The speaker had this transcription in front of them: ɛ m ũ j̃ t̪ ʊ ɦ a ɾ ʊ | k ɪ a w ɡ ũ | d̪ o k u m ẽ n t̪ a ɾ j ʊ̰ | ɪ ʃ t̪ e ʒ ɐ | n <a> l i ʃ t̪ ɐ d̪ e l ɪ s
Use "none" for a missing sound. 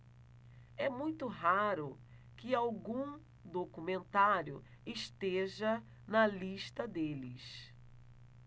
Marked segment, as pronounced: ɐ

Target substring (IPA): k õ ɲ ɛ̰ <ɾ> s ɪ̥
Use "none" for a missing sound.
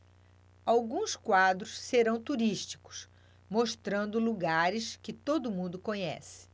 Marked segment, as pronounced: none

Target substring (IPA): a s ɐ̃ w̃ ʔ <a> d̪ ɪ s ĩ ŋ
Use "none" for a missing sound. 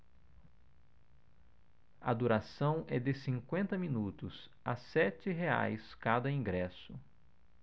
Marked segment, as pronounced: ɛ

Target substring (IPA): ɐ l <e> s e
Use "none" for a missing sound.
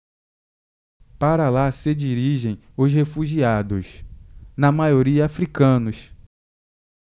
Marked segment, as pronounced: a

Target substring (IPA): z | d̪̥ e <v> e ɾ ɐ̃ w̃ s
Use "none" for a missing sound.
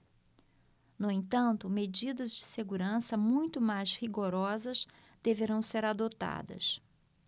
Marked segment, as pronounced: v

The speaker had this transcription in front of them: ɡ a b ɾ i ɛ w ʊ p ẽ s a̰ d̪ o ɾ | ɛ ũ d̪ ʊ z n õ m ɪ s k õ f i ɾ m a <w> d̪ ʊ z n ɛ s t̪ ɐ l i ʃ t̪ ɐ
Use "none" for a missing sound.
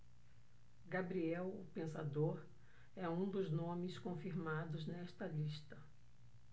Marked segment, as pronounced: none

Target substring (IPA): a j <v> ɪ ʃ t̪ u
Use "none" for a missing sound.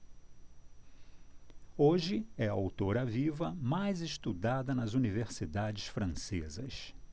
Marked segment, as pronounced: z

